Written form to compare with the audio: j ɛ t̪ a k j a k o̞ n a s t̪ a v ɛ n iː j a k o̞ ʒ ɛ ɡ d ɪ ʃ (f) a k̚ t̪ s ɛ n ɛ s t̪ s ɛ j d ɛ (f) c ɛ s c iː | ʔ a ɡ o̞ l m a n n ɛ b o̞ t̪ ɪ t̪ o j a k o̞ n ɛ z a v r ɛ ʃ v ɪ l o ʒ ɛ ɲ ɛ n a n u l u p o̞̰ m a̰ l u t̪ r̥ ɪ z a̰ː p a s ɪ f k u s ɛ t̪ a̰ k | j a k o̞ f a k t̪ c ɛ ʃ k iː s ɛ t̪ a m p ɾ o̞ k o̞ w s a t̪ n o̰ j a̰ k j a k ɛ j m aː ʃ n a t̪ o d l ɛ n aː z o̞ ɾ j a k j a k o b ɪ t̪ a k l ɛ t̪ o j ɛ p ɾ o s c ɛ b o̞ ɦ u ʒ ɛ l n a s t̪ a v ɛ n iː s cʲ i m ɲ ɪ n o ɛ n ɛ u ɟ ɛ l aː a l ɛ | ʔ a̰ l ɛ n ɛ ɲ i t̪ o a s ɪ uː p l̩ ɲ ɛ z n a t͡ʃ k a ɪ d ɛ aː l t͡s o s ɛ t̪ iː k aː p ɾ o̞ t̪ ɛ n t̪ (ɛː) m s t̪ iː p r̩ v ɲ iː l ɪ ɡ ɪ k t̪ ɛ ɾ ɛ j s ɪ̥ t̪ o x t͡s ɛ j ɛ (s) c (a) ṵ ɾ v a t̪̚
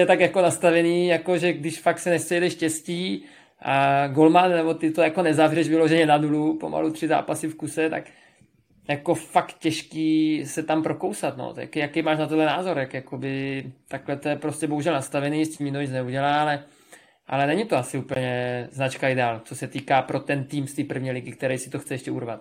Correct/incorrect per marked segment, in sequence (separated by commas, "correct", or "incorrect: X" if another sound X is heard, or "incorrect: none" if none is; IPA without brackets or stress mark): correct, incorrect: ʃ, incorrect: iː, incorrect: ʃ, incorrect: ɛ